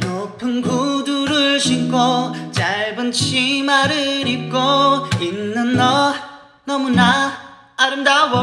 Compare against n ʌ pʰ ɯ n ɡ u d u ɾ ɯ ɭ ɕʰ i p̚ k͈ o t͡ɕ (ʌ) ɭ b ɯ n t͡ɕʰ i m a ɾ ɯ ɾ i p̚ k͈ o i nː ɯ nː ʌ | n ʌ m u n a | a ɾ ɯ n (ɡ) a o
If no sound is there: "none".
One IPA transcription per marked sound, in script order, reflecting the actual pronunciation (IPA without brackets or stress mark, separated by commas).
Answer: a, d